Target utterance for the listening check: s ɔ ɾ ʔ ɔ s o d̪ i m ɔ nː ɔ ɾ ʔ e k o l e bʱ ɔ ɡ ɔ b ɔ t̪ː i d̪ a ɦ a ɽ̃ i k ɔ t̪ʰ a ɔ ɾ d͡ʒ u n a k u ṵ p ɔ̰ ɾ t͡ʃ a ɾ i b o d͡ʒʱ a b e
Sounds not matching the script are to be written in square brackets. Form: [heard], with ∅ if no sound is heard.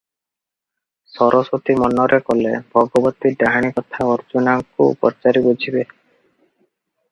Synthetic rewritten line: s ɔ ɾ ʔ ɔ s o [t̪] i m ɔ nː ɔ ɾ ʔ e k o l e bʱ ɔ ɡ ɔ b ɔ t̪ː i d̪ a ɦ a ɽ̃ i k ɔ t̪ʰ a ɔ ɾ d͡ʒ u n a k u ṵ p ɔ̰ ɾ t͡ʃ a ɾ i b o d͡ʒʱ [i] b e